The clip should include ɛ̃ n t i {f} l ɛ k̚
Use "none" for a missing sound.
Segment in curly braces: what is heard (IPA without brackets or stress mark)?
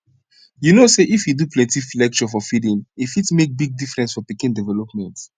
f